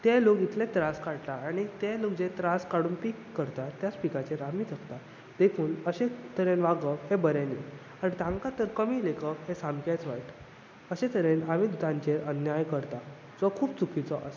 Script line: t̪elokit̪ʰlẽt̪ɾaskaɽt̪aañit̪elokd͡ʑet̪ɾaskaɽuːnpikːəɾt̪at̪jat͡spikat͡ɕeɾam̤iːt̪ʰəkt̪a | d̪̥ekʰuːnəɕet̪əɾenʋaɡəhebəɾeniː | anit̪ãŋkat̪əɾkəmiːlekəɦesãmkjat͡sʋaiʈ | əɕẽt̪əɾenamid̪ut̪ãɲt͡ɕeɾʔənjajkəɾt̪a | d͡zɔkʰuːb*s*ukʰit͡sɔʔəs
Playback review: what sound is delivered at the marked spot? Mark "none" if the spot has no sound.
t͡s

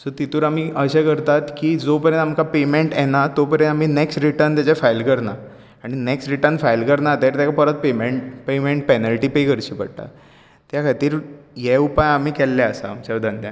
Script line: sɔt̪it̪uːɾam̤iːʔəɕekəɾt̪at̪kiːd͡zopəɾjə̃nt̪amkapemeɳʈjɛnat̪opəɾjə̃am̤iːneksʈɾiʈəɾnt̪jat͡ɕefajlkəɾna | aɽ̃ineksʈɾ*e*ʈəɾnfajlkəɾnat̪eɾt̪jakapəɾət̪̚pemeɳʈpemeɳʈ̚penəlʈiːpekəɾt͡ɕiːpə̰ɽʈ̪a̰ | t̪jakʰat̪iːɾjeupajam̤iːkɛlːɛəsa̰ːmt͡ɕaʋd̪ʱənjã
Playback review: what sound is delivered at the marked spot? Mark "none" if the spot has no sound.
i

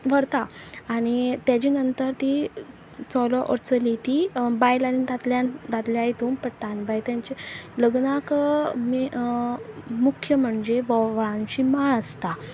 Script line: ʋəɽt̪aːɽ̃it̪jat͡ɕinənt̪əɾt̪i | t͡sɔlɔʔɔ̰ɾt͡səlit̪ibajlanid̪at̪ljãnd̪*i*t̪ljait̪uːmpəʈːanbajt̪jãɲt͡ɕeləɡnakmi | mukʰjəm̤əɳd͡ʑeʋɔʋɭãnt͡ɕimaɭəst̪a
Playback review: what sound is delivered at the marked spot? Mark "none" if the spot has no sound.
a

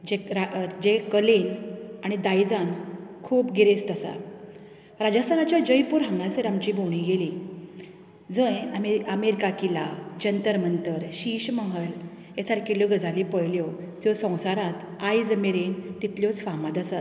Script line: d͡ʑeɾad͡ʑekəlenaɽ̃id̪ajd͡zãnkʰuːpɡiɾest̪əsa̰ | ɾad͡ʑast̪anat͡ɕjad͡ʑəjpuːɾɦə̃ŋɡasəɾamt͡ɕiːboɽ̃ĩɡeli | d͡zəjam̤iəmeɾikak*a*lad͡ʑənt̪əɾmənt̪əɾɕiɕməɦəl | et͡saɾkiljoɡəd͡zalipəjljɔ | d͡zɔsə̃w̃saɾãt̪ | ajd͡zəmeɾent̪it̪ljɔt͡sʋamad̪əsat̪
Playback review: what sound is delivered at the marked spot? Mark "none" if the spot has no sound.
i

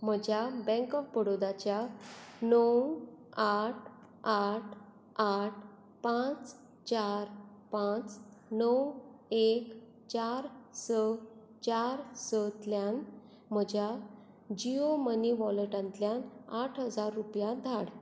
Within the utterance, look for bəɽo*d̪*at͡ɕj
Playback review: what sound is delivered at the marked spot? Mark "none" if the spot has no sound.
d̪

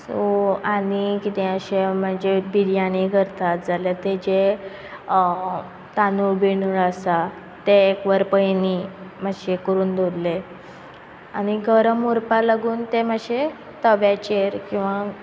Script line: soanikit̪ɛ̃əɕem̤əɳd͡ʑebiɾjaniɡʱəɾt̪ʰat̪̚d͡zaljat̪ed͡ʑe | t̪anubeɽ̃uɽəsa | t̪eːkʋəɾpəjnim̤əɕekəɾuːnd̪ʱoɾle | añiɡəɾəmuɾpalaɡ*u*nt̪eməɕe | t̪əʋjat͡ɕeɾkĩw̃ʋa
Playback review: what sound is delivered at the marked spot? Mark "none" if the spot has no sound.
uː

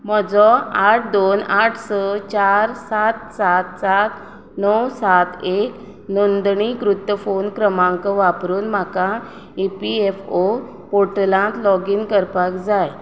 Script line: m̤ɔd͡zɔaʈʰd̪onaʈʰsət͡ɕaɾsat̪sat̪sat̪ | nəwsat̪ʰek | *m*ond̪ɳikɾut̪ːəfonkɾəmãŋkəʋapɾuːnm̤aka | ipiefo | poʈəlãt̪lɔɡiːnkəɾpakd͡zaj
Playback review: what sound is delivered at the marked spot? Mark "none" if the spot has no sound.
n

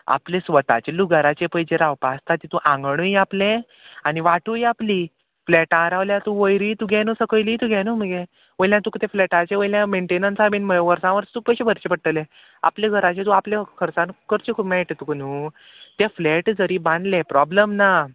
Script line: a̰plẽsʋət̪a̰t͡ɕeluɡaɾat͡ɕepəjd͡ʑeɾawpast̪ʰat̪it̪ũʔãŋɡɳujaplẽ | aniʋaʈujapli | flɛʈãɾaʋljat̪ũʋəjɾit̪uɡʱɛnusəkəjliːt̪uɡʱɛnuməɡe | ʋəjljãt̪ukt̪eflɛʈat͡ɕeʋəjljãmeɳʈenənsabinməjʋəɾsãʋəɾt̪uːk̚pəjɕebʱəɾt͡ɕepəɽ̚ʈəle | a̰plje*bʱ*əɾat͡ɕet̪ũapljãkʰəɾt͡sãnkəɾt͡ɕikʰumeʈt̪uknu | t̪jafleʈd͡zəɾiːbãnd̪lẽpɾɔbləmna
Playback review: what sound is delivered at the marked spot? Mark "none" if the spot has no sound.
ɡʱ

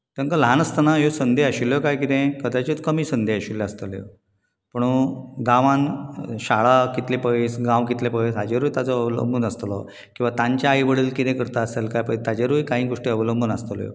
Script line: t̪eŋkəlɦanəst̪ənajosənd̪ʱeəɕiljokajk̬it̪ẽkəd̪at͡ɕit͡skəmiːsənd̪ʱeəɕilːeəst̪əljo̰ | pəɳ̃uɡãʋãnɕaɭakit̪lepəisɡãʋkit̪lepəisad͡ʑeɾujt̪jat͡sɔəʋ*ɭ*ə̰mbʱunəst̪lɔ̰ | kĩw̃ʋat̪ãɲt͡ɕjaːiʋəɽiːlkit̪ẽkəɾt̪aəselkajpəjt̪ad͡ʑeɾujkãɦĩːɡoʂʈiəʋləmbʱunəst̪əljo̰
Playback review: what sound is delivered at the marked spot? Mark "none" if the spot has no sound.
l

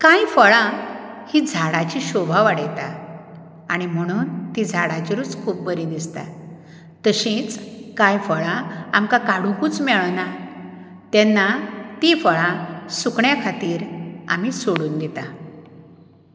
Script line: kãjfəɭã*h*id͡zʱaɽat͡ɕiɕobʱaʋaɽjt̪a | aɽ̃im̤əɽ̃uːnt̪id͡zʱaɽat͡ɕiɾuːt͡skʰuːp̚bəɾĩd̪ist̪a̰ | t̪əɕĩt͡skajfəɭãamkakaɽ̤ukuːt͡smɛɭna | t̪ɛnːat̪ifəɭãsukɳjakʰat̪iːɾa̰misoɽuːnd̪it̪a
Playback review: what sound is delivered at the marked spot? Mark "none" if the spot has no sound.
h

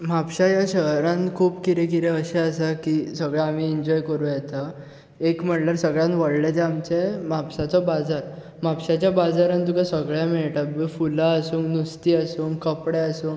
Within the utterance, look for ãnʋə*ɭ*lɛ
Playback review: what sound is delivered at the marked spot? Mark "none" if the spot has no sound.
ɽ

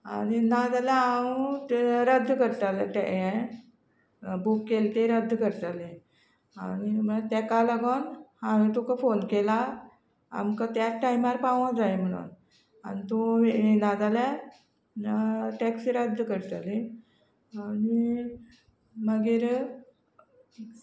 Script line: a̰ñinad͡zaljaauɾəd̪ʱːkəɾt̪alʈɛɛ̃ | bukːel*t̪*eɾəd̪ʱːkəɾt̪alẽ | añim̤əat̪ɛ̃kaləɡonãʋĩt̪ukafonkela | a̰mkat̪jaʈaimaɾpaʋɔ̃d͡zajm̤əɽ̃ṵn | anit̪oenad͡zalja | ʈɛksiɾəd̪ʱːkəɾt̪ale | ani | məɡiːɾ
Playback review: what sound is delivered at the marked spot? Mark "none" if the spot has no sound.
t̪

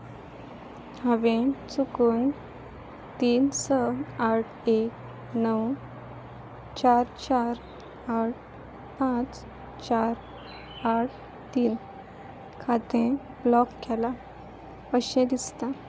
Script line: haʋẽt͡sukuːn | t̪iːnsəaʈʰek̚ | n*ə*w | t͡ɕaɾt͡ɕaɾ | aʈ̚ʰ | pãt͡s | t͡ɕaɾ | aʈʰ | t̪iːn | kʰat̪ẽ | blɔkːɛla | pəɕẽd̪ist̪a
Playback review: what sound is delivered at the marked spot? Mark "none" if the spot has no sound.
ə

